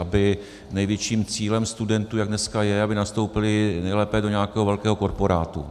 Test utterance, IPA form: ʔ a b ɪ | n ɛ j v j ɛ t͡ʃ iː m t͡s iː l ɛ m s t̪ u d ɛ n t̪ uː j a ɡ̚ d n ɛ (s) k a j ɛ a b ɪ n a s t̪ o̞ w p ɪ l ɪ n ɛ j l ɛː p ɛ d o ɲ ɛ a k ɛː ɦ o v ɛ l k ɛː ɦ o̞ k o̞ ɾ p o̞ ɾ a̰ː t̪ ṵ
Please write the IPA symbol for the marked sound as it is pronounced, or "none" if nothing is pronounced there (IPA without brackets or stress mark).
s